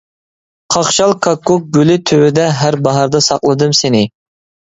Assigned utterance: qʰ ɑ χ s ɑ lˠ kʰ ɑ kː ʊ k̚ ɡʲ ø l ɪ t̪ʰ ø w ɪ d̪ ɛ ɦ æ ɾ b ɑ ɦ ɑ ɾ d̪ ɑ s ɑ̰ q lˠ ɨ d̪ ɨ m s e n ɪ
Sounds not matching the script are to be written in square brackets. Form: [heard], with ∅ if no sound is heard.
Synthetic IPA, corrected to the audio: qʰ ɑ χ [ʃ] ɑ lˠ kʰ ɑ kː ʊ k̚ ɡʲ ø l ɪ t̪ʰ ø w ɪ d̪ ɛ ɦ æ ɾ b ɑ ɦ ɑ ɾ d̪ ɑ s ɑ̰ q lˠ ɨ d̪ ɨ m s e n ɪ